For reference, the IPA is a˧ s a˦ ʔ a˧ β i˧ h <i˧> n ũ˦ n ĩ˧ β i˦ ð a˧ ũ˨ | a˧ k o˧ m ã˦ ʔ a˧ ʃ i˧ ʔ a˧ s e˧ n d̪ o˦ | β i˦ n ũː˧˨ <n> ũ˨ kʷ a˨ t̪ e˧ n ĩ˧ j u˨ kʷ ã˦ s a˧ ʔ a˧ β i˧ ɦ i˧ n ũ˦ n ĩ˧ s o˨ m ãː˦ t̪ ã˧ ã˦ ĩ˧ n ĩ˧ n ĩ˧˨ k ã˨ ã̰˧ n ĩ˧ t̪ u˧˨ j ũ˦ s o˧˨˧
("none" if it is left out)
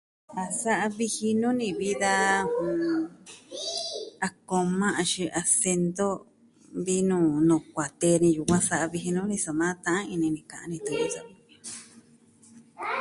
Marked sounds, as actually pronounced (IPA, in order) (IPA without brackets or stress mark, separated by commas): i˧, n